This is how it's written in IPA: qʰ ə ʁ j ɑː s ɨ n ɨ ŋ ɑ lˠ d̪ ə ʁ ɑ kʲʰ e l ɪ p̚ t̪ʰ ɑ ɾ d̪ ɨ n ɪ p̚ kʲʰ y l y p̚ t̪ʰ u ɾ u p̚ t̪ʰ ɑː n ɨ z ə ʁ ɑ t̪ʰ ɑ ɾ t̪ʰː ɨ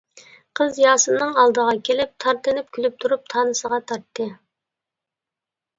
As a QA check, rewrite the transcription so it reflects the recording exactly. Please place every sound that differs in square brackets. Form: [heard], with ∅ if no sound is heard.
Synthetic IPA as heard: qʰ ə [z] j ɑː s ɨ n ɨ ŋ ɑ lˠ d̪ ə ʁ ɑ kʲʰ e l ɪ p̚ t̪ʰ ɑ ɾ [t̪] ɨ n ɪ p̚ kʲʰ y l y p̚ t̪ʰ u ɾ u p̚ t̪ʰ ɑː n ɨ [s] ə ʁ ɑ t̪ʰ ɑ ɾ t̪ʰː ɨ